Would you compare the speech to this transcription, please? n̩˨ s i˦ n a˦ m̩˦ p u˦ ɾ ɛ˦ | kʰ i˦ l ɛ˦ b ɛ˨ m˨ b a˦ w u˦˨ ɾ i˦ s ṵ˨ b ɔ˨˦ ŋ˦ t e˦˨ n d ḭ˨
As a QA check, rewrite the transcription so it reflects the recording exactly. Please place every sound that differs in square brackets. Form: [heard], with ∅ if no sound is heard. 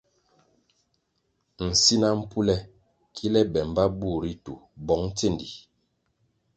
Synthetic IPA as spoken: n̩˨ s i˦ n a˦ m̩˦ p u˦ [l] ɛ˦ | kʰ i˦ l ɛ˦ b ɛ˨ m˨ b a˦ [b] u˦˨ ɾ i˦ [t] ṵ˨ b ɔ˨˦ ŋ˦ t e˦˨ n d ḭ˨